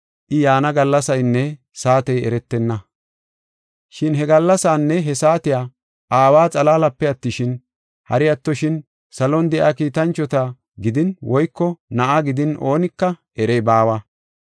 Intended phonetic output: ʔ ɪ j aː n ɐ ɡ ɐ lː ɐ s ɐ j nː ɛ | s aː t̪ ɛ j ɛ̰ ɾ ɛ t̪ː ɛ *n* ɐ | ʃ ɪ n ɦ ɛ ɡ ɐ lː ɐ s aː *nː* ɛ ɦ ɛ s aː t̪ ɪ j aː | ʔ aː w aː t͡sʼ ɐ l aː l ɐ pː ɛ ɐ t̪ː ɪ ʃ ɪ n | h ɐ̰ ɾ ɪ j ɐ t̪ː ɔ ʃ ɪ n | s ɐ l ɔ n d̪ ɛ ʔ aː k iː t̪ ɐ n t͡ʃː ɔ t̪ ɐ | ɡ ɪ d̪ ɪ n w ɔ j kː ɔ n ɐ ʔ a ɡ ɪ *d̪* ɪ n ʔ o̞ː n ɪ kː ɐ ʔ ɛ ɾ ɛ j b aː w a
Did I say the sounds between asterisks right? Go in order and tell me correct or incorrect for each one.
incorrect, correct, correct

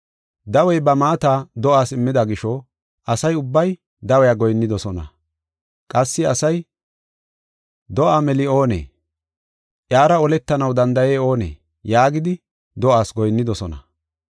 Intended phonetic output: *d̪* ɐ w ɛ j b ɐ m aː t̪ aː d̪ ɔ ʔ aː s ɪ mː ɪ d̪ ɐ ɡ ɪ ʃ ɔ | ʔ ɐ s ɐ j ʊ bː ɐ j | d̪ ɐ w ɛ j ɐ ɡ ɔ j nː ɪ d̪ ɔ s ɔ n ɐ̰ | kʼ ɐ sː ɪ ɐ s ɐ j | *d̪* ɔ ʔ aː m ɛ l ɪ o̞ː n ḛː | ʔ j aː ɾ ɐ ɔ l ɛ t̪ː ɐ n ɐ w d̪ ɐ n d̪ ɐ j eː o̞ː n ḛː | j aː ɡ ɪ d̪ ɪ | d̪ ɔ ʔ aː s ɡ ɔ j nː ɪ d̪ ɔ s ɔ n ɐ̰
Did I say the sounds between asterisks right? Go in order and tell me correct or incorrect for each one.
correct, correct

